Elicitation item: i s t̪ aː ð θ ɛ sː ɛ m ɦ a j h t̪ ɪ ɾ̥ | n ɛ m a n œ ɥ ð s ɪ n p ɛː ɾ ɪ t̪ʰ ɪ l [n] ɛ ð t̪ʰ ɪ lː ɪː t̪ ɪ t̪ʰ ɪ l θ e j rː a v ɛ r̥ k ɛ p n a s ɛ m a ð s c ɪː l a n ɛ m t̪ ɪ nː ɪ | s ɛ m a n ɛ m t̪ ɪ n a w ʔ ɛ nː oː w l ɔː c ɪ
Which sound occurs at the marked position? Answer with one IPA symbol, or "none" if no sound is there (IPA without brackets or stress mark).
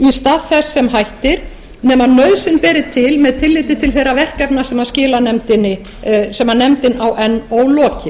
m